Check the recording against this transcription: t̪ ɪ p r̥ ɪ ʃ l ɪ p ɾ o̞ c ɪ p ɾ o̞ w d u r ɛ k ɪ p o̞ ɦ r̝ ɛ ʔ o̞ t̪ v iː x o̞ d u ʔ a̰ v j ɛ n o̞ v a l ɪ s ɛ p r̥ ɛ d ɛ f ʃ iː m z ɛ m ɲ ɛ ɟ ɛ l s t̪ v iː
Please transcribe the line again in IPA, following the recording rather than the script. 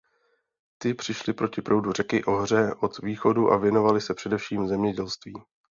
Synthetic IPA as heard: t̪ ɪ p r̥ ɪ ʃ l ɪ p ɾ o̞ c ɪ p ɾ o̞ w d u r ɛ k ɪ ʔ o̞ ɦ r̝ ɛ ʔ o̞ t̪ v iː x o̞ d u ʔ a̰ v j ɛ n o̞ v a l ɪ s ɛ p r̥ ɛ d ɛ f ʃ iː m z ɛ m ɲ ɛ ɟ ɛ l s t̪ v iː